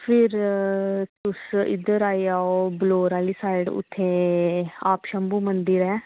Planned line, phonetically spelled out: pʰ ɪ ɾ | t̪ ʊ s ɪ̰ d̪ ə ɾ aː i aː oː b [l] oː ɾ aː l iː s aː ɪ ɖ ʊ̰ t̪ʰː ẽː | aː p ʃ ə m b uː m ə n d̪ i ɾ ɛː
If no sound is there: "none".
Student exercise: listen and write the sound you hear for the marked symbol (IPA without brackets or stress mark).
l